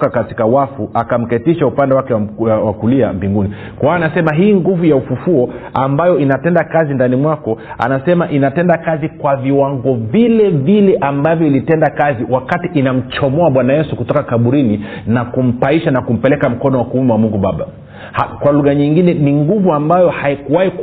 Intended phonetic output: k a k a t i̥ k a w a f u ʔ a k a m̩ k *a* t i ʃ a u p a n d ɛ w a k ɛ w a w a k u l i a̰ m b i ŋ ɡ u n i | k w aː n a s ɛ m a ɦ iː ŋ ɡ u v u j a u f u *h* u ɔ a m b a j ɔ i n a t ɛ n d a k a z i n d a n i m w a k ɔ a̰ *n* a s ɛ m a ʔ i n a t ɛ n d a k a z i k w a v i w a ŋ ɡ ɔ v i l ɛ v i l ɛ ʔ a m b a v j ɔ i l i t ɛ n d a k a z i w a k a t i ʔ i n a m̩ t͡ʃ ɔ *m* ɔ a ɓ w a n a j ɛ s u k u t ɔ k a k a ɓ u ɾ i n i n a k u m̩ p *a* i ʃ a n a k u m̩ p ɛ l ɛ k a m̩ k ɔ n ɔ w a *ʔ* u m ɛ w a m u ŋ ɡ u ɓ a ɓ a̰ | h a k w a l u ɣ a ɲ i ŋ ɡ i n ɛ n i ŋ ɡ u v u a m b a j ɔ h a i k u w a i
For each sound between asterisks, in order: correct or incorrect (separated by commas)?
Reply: incorrect, incorrect, correct, correct, correct, incorrect